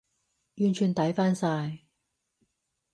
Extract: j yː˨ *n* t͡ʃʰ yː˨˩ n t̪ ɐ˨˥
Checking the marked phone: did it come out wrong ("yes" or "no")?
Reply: no